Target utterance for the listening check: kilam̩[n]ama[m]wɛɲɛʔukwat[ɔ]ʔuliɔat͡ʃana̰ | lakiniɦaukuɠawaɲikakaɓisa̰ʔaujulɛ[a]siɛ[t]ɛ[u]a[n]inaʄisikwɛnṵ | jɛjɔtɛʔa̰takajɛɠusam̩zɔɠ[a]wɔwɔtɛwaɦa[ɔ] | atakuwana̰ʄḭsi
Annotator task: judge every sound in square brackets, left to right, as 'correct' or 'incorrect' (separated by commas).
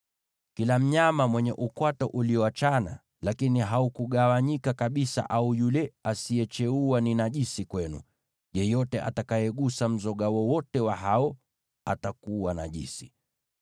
incorrect, correct, correct, correct, incorrect, correct, correct, correct, correct